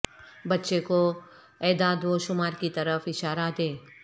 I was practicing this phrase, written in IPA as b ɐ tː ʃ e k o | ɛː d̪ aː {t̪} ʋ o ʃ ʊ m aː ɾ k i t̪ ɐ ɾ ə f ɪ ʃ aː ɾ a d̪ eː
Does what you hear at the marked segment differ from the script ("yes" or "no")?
yes